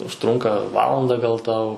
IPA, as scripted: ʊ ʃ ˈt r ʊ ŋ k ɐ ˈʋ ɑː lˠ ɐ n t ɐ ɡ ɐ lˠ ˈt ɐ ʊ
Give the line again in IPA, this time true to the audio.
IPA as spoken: ʊ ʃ ˈt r ʊ ŋ k ɐ ˈʋ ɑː lˠ ɐ n d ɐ ɡ ɐ lˠ ˈt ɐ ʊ

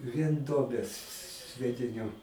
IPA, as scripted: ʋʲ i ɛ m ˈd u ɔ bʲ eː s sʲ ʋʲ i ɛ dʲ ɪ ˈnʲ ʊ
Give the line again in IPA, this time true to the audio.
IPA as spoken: ʋʲ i ɛ n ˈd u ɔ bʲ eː s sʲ ʋʲ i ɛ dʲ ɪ ˈnʲ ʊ

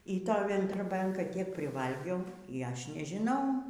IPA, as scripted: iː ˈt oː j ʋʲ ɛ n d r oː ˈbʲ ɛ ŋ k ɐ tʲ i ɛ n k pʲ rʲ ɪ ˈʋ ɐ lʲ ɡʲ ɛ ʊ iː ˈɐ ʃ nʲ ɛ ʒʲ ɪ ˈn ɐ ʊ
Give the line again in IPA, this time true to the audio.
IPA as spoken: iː ˈt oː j ʋʲ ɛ n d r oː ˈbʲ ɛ ŋ k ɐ tʲ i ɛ k pʲ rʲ ɪ ˈʋ ɐ lʲ ɡʲ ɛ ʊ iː ˈɐ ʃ nʲ ɛ ʒʲ ɪ ˈn ɐ ʊ

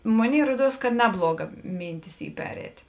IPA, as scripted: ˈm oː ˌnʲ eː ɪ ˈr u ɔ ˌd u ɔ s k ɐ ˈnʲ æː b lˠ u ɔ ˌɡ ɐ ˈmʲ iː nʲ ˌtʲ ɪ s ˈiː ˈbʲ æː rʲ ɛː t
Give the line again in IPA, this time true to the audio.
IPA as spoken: ˈm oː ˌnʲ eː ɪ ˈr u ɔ ˌd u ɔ s k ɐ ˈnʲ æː b lˠ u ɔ ˌɡ ɐ ˈmʲ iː nʲ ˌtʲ ɪ s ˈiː ˈpʲ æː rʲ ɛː t

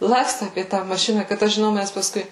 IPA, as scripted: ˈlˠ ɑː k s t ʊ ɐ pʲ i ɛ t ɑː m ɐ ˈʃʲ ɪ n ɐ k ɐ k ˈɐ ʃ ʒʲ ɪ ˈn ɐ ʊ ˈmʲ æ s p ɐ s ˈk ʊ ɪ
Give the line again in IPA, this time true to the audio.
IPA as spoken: ˈlˠ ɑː k s t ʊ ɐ pʲ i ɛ t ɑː m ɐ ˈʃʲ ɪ n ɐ k ɐ t ˈɐ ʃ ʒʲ ɪ ˈn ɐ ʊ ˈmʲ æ s p ɐ s ˈk ʊ ɪ

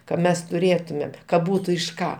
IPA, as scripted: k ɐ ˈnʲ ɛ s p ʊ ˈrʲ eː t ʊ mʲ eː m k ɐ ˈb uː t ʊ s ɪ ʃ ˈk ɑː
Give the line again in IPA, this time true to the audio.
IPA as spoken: k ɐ ˈmʲ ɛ s t ʊ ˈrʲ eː t ʊ mʲ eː m k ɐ ˈb uː t ʊ ɪ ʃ ˈk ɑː

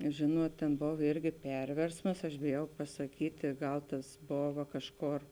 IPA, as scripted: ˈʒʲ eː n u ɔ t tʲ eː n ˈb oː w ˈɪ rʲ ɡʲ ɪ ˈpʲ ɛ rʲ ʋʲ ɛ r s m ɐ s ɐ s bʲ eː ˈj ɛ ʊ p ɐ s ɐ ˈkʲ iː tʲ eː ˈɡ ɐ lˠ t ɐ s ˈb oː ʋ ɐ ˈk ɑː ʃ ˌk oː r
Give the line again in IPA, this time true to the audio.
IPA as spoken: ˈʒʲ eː n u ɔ t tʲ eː n ˈb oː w ˈɪ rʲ ɡʲ ɪ ˈpʲ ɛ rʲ ʋʲ ɛ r s m ɐ s ɐ ʃ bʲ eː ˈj ɛ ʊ p ɐ s ɐ ˈkʲ iː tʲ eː ˈɡ ɐ lˠ t ɐ s ˈb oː ʋ ɐ ˈk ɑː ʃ ˌk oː r

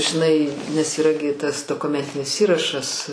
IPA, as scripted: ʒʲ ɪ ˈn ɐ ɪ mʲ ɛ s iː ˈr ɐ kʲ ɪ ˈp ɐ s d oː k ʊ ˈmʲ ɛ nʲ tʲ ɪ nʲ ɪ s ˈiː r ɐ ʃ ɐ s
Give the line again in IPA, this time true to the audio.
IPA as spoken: ʒʲ ɪ ˈn ɐ ɪ nʲ ɛ s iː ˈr ɐ ɡʲ ɪ ˈt ɐ s d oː k ʊ ˈmʲ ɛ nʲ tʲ ɪ nʲ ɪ s ˈiː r ɐ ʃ ɐ s

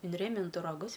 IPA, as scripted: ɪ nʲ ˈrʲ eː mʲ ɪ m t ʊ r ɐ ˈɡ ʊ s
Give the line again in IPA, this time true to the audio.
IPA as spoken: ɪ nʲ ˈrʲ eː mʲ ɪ n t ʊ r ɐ ˈɡ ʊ s

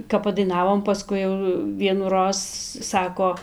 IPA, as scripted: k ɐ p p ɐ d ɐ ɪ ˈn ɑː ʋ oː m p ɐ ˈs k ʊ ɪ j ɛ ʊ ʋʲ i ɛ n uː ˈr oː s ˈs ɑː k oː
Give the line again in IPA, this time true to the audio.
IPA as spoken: k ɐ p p ɐ d ɐ ɪ ˈn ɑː ʋ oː m p ɐ ˈs k ʊ ɪ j ɛ ʊ ʋʲ i ɛ n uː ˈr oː s ˈs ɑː k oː

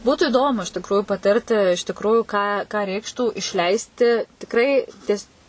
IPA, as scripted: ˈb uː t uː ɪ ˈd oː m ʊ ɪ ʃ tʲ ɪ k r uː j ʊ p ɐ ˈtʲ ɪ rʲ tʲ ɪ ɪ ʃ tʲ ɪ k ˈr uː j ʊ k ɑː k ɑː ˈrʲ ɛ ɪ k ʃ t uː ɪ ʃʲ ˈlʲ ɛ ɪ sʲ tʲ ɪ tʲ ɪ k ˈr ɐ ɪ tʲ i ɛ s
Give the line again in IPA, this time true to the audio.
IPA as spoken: ˈb uː t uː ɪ ˈd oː m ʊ ɪ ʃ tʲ ɪ k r uː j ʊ p ɐ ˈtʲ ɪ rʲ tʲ ɪ ɪ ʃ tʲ ɪ k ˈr uː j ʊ k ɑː k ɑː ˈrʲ ɛ ɪ k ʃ t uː ɪ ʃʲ ˈlʲ ɛ ɪ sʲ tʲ ɪ tʲ ɪ k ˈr ɐ ɪ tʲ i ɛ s

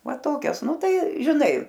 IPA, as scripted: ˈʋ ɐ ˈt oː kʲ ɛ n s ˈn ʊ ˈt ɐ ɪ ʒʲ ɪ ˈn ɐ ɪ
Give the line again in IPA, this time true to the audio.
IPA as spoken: ˈʋ ɐ ˈt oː kʲ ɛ s ˈn ʊ ˈt ɐ ɪ ʒʲ ɪ ˈn ɐ ɪ

